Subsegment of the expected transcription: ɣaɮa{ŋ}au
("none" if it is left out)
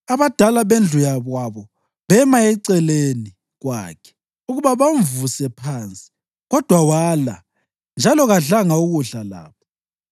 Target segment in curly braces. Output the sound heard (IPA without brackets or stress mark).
ŋ